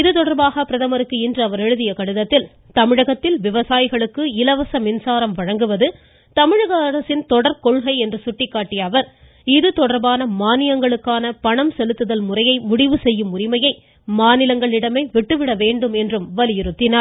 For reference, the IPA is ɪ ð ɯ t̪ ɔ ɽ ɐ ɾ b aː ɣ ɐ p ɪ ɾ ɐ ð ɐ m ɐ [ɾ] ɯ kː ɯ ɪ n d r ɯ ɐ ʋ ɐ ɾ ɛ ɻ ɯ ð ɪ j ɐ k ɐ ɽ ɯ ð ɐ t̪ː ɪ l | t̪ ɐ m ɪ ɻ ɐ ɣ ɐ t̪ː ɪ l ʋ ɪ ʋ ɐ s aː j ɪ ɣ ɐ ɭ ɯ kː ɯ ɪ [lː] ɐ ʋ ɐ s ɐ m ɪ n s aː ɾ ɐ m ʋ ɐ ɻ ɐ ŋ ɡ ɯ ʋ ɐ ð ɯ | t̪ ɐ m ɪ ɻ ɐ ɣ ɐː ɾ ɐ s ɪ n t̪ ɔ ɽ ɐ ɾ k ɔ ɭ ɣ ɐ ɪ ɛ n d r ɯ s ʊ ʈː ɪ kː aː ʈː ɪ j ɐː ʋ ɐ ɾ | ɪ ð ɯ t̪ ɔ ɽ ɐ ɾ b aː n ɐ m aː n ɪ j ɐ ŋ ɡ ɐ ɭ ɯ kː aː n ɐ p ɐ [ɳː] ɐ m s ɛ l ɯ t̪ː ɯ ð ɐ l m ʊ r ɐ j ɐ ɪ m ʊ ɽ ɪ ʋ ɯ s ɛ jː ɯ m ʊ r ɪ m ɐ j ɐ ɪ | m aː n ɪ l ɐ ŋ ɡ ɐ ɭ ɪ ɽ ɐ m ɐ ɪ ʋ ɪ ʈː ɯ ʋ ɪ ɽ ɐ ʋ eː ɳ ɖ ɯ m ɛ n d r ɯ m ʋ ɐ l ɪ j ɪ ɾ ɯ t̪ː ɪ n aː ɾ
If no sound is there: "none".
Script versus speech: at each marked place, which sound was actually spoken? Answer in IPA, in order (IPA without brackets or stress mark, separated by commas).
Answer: ɾ, l, ɳ